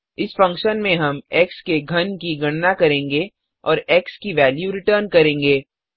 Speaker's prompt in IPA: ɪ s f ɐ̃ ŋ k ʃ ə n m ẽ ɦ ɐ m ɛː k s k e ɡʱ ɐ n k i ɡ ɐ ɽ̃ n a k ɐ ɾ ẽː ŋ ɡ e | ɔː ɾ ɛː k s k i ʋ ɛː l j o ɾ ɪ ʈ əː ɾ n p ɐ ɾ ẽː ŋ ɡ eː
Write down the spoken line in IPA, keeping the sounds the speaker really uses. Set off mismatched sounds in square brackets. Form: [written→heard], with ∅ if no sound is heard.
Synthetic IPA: ɪ s f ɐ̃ ŋ k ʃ ə n m ẽ ɦ ɐ m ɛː k s k e ɡʱ ɐ n k i ɡ ɐ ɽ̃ n a k ɐ ɾ ẽː ŋ ɡ e | ɔː ɾ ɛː k s k i ʋ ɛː l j [o→u] ɾ ɪ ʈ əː ɾ n [p→k] ɐ ɾ ẽː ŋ ɡ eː